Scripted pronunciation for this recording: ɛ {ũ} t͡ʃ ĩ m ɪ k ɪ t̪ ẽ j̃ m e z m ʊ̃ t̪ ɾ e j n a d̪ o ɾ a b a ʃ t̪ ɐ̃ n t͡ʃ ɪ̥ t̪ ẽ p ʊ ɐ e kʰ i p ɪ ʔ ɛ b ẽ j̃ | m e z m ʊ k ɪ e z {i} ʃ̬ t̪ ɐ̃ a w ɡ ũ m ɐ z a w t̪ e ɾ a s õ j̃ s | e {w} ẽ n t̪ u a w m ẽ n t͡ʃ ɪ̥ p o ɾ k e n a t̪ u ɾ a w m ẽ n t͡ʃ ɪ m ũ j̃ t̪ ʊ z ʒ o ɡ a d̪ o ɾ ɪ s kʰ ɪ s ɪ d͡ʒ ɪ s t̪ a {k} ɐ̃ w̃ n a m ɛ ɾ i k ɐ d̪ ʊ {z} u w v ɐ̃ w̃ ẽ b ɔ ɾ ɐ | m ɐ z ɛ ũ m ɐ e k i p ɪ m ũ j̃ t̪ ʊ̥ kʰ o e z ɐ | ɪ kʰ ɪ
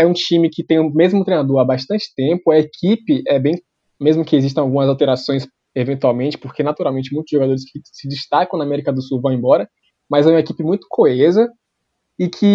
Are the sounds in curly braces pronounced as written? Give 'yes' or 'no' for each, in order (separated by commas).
yes, yes, no, yes, no